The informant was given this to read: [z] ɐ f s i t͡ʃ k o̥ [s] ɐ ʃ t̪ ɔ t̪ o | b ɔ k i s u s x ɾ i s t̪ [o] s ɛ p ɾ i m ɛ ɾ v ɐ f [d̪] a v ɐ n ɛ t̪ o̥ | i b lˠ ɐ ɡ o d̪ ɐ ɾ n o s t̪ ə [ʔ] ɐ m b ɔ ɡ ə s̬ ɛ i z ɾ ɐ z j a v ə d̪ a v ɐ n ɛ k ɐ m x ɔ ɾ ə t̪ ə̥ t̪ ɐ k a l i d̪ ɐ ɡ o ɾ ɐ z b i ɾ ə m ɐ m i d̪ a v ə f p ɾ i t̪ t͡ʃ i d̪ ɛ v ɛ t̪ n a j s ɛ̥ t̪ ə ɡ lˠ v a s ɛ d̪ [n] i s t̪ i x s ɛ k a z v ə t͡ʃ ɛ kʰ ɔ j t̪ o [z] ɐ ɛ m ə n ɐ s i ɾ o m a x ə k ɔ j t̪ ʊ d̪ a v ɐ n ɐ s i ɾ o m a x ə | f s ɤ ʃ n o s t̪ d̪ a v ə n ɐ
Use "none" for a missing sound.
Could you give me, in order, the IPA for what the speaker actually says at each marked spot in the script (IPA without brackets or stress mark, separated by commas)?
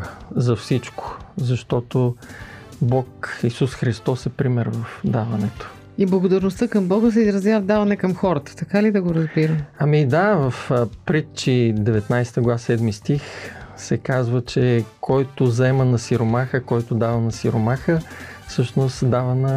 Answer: z, z, ɔ, d̪, k, m, z